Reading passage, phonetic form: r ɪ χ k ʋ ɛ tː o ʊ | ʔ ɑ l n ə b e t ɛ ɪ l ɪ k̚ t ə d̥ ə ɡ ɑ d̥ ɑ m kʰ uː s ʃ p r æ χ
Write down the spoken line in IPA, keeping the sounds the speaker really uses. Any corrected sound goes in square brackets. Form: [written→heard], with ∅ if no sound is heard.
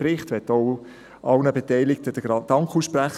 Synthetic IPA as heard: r ɪ χ [k→t] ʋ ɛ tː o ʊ | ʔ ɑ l n ə b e t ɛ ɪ l ɪ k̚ t ə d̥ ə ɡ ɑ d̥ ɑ [m→ŋ] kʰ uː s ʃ p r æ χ